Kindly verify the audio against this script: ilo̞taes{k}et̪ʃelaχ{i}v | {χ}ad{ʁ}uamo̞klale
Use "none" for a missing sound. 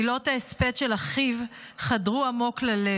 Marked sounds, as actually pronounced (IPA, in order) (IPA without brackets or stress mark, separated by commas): p, i, χ, ʁ